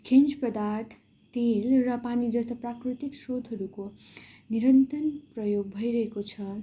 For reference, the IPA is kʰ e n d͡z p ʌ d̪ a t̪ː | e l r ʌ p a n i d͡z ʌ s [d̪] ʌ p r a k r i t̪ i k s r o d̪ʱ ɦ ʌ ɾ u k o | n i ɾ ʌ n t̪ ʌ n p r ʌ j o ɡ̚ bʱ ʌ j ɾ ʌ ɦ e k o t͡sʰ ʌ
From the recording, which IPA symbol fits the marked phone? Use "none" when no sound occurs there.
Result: t̪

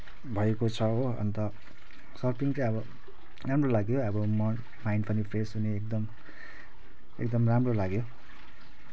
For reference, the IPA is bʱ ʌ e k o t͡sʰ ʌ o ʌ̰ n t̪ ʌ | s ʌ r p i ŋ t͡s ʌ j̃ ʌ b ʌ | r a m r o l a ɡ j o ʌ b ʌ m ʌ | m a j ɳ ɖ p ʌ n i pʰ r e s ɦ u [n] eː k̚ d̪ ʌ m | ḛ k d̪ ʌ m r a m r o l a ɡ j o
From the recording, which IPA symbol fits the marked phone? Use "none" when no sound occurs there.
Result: n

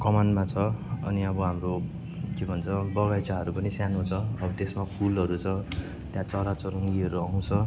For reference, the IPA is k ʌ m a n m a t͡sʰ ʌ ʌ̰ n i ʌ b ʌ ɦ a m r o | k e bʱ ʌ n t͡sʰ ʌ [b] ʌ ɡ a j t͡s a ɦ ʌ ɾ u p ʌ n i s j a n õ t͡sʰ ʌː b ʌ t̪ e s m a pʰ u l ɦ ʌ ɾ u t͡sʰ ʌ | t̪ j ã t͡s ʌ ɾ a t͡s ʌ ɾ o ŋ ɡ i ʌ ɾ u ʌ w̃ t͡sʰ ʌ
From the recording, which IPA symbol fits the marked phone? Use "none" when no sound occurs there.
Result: b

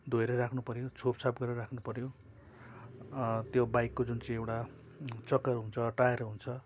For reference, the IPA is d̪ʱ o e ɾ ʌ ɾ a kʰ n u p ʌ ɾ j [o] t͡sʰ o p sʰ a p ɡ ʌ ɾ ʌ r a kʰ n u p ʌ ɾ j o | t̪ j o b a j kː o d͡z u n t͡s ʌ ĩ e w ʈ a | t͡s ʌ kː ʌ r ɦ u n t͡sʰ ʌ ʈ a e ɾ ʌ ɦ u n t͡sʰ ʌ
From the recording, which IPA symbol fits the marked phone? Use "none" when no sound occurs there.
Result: o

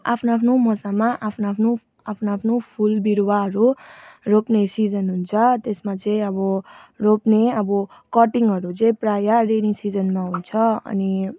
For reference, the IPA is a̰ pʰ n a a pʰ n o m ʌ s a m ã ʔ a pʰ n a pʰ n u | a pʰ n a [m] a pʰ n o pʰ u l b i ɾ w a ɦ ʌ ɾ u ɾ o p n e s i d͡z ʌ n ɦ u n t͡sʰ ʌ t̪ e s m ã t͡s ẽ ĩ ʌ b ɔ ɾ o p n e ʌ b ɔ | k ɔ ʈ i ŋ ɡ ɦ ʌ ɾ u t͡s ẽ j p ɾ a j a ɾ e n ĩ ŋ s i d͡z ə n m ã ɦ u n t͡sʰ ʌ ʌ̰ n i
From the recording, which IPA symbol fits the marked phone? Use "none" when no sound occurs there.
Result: none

